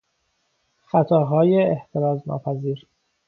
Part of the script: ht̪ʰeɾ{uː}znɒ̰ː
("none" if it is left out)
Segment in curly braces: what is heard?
ɒː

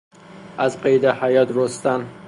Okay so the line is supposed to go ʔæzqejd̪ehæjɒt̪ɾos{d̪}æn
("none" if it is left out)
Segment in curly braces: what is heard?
t̪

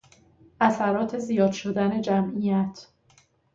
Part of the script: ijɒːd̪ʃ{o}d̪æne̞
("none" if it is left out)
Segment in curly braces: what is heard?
o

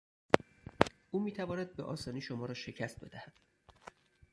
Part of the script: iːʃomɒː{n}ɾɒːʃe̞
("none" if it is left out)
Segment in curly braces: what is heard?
none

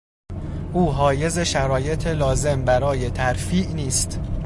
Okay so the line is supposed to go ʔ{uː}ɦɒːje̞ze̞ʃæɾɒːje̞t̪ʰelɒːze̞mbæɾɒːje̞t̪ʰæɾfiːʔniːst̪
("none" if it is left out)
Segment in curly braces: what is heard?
uː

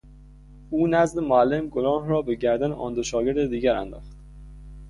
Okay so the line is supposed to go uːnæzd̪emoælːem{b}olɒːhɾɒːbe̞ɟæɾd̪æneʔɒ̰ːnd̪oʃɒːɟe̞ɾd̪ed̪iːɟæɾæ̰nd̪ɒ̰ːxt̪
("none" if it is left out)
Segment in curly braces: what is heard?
ɡ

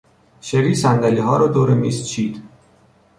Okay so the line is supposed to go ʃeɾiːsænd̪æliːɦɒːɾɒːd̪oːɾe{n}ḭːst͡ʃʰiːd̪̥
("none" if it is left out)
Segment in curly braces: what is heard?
m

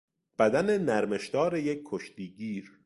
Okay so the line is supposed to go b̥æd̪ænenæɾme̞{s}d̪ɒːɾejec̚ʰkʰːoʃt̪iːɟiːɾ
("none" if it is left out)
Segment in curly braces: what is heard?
ʃ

